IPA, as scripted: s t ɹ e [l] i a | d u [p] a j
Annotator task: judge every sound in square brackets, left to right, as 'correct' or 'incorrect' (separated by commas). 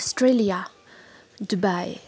correct, incorrect